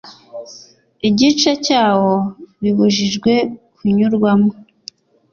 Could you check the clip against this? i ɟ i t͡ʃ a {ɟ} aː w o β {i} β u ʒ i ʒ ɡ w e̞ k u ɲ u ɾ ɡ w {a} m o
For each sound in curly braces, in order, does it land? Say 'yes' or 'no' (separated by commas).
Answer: no, yes, yes